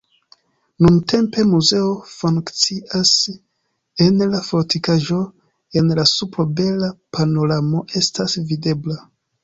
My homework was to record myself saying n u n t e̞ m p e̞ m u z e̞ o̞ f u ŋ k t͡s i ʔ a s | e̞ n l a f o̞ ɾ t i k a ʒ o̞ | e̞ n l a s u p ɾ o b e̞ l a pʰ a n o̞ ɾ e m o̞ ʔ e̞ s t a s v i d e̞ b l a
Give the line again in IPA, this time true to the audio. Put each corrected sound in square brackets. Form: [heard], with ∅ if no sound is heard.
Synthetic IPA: n u n t e̞ m p e̞ m u z e̞ o̞ f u ŋ k t͡s i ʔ a s | e̞ n l a f o̞ ɾ t i k a ʒ o̞ | e̞ n l a s u p ɾ o b e̞ l a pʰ a n o̞ ɾ [a] m o̞ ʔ e̞ s t a s v i d e̞ b l a